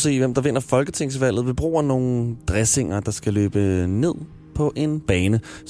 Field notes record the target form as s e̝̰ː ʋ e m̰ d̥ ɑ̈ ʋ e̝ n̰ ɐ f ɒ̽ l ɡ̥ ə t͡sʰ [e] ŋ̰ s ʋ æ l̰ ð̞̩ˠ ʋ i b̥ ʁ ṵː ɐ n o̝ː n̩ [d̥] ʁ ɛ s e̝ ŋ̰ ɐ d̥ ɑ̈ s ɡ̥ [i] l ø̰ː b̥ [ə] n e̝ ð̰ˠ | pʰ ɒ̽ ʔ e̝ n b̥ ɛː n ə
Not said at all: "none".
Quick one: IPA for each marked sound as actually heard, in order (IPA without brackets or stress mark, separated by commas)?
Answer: e, d̥, æ, ə